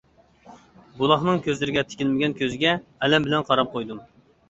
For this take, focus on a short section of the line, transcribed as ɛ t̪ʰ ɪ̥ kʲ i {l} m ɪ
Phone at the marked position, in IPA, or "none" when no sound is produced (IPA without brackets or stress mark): l